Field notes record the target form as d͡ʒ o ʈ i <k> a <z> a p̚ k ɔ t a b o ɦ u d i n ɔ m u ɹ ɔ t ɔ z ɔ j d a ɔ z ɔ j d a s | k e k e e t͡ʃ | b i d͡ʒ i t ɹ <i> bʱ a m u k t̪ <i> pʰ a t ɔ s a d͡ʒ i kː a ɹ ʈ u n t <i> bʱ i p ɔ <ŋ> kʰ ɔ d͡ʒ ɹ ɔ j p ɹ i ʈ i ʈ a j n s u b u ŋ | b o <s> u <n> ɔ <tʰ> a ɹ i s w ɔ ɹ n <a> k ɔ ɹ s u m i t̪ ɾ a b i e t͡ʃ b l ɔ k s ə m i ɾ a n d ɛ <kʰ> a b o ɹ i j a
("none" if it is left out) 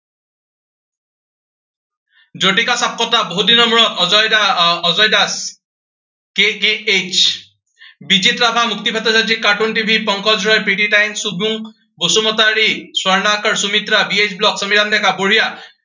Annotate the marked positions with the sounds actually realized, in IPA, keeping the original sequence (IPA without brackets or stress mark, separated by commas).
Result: k, s, a, i, i, ŋ, s, m, t, a, k